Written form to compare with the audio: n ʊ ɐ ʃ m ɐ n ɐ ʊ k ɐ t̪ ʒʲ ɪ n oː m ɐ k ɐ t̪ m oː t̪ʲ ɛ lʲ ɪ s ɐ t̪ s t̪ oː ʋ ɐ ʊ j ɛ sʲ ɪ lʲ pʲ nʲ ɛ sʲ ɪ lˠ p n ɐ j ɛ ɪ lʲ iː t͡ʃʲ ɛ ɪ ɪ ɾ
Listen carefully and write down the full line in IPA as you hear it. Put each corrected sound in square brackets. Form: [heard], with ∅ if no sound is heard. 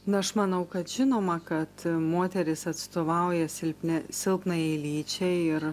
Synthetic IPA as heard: n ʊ ɐ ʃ m ɐ n ɐ ʊ k ɐ t̪ ʒʲ ɪ n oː m ɐ k ɐ t̪ m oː t̪ʲ ɛ [ɾʲ] ɪ s ɐ t̪ s t̪ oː ʋ ɐ ʊ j ɛ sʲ ɪ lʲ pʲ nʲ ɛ sʲ ɪ lˠ p n ɐ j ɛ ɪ lʲ iː t͡ʃʲ ɛ ɪ ɪ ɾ

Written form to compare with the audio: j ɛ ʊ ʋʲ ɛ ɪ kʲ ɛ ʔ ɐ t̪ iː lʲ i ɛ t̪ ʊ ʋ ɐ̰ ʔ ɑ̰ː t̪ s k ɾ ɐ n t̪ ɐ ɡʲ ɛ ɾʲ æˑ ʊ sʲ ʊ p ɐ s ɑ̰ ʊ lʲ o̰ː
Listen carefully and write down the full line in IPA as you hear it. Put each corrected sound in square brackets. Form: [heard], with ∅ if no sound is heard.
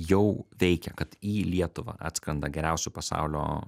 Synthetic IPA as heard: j ɛ ʊ ʋʲ ɛ ɪ kʲ ɛ [k] ɐ t̪ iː lʲ i ɛ t̪ ʊ ʋ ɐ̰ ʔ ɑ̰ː t̪ s k ɾ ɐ n [d̪] ɐ ɡʲ ɛ ɾʲ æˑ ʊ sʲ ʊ p ɐ s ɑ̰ ʊ lʲ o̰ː

